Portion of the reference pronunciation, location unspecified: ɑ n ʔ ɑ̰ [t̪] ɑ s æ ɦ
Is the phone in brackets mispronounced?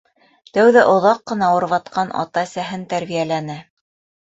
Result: no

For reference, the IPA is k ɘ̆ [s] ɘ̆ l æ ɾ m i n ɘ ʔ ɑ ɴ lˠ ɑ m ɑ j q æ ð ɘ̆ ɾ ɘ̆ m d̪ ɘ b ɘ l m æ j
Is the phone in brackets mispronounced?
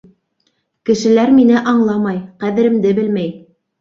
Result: yes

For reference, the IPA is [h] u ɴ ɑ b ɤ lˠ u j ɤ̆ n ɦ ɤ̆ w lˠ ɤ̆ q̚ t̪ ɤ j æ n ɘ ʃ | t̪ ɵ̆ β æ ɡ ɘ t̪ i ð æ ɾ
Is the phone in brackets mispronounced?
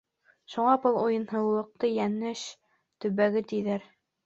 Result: yes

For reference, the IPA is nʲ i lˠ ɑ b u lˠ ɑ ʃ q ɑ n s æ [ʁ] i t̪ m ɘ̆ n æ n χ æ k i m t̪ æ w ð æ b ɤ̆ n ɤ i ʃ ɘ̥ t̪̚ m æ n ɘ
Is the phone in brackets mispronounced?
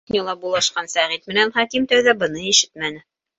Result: no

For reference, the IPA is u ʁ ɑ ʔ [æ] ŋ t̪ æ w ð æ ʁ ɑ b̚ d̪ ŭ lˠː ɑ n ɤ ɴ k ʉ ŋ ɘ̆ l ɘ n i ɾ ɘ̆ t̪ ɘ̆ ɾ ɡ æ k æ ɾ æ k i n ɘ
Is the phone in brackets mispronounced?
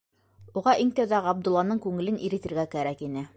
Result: yes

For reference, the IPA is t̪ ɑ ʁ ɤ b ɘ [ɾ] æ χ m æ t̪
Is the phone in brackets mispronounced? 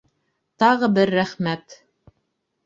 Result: yes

